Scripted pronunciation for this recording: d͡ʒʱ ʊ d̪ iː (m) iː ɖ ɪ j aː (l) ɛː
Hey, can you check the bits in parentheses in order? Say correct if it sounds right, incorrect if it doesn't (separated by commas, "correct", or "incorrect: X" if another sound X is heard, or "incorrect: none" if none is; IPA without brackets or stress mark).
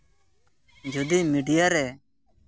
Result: correct, incorrect: ɾ